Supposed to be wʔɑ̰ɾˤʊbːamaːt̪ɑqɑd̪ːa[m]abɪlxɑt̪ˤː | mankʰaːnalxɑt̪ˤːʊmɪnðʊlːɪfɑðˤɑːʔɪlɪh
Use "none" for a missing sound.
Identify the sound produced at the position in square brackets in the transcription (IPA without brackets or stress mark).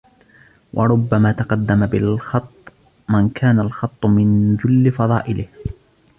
m